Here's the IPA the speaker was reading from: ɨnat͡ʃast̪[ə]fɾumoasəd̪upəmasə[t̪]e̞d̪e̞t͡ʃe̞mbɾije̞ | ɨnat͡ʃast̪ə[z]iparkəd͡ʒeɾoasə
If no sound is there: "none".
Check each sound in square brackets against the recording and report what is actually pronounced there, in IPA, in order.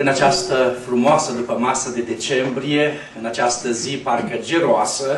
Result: ə, d̪, z

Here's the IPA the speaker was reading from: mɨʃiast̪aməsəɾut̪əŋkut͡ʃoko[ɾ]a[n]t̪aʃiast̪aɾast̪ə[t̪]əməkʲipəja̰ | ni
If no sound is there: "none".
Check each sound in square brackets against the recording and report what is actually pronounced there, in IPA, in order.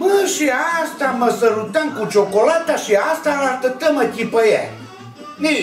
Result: l, none, t̪

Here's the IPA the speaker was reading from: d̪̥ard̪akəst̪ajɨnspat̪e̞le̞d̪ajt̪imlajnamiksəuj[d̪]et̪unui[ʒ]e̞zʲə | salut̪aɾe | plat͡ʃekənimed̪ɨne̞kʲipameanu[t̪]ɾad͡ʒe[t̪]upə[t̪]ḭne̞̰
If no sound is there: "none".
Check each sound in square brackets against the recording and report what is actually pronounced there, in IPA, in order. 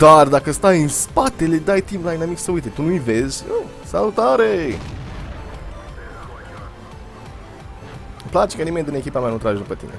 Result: t̪, v, t̪, d̪, t̪

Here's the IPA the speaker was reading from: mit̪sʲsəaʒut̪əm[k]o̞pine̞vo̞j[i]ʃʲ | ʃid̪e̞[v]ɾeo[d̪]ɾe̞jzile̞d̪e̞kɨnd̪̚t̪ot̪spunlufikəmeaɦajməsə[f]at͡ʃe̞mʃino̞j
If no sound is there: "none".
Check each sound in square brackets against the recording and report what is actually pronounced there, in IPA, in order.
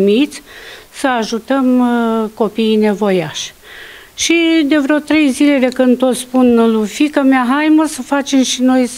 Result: k, a, v, t̪, f

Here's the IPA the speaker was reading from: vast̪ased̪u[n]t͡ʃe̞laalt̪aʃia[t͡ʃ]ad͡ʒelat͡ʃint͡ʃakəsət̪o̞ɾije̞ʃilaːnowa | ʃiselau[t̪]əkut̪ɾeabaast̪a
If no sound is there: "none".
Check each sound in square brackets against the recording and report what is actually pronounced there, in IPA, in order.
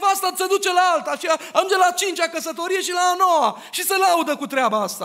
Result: none, none, d̪

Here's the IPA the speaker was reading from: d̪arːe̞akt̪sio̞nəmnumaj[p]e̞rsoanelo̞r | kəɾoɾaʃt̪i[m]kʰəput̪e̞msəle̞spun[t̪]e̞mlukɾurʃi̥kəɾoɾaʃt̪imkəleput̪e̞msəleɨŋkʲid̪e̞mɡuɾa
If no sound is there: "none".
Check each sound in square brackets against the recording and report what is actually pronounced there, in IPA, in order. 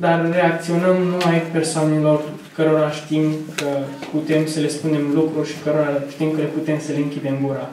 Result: p, m, d̪

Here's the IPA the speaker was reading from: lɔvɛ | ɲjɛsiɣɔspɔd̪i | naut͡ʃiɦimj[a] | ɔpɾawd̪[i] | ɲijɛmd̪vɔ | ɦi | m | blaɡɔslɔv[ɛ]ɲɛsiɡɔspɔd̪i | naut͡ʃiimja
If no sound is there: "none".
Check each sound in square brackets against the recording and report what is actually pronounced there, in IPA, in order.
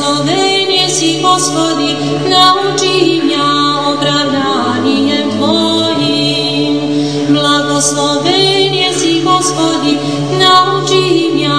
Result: a, a, ɛ

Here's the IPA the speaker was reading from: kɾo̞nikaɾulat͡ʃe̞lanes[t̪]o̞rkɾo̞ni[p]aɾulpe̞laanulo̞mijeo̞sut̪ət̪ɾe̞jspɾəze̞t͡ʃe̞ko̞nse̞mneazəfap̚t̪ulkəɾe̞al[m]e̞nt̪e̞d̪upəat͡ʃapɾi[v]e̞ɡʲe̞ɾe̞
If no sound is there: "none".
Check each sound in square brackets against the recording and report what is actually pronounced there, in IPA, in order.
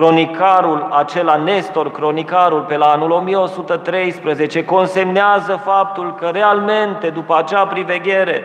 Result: t̪, k, m, v

